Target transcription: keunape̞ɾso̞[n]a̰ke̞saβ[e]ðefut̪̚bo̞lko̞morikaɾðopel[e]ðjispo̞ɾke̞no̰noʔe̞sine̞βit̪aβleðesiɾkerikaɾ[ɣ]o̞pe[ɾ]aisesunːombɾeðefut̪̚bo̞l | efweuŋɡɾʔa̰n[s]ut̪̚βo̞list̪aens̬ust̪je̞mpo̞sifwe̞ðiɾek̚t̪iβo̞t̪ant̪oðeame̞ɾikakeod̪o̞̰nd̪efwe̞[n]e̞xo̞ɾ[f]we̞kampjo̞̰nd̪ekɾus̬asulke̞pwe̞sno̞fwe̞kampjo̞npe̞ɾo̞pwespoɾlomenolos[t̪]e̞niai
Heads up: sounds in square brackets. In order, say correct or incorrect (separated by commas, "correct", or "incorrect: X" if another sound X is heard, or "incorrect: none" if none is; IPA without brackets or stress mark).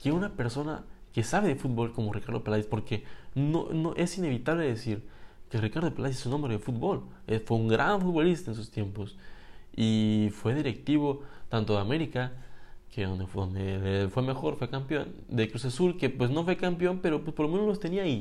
correct, correct, incorrect: a, incorrect: ð, incorrect: l, incorrect: f, incorrect: m, correct, correct